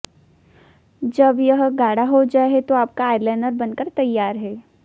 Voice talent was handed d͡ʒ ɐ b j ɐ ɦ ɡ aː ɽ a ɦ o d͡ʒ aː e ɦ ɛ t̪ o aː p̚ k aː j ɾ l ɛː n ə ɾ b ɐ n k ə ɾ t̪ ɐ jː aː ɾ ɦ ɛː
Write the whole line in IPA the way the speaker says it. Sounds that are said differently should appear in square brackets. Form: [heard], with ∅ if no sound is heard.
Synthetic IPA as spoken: d͡ʒ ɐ b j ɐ ɦ ɡ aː ɽ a ɦ o d͡ʒ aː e ɦ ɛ t̪ o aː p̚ k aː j ɾ l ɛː n ə ɾ b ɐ n k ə ɾ t̪ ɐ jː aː ɾ ɦ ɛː